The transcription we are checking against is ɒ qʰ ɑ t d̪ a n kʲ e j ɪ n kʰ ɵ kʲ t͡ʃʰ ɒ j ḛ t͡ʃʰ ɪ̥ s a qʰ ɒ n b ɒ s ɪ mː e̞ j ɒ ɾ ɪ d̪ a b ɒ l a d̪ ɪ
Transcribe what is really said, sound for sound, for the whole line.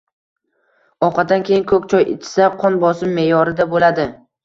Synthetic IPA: ɒ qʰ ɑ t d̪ a n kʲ e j ɪ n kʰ ɵ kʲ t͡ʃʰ ɒ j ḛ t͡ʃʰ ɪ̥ s a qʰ ɒ n b ɒ s ɪ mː e̞ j ɒ ɾ ɪ d̪ a b o l a d̪ ɪ

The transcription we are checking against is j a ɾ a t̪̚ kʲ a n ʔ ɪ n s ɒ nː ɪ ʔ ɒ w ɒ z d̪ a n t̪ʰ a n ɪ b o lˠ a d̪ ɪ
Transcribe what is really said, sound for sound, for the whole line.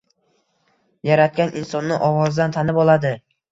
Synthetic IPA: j a ɾ a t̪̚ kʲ a n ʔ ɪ n s ɒ nː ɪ ʔ ɒ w ɒ z d̪ a n t̪ʰ a n ɪ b ɒ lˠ a d̪ ɪ

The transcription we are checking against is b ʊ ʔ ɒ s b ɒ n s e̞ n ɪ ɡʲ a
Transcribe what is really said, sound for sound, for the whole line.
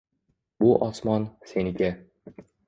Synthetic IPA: b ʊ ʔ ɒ s m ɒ n s e̞ n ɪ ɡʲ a

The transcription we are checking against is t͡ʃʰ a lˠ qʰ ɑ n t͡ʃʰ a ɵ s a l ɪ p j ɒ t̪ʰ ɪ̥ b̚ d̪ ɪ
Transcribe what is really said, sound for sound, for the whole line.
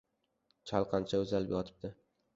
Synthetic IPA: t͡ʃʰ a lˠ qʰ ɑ n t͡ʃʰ a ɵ z a l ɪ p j ɒ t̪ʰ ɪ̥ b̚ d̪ ɪ

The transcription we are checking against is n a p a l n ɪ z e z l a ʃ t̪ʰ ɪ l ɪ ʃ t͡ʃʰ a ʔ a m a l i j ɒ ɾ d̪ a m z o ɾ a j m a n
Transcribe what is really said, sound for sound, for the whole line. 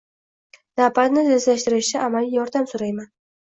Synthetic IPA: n a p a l n ɪ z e z l a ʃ t̪ ɪ ɾ ɪ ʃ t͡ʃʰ a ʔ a m a l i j ɒ ɾ d̪ a m s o ɾ a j m a n

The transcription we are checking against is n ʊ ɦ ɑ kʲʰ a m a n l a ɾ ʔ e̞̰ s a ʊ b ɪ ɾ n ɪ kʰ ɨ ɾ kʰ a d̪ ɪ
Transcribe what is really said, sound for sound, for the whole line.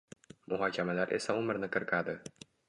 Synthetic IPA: m ʊ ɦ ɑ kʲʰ a m a l a ɾ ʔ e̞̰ s a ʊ m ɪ ɾ n ɪ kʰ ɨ ɾ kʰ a d̪ ɪ

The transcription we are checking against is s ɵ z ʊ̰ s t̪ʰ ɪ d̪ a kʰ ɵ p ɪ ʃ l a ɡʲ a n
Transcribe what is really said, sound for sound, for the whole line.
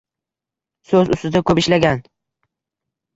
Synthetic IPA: s ɵ z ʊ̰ s t̪ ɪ d̪ a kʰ ɵ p ɪ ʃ l a ɡʲ a n

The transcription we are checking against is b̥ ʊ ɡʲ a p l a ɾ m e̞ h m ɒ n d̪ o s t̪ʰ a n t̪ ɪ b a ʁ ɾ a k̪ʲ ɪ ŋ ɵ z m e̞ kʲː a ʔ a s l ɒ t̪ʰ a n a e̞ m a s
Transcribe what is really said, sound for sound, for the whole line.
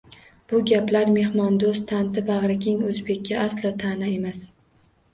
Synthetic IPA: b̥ ʊ ɡʲ a p l a ɾ m e̞ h m ɒ n d̪ o s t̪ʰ a n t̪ ɪ b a ʁ ɾ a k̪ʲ ɪ ŋ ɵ z b e̞ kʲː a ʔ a s l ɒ t̪ʰ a n a e̞ m a s

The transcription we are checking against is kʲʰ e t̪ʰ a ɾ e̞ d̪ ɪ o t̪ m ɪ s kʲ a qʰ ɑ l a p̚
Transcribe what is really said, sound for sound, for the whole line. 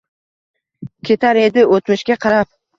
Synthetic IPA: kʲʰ e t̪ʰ a ɾ e̞ d̪ ɪ o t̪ m ɪ ʃ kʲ a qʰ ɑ ɾ a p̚

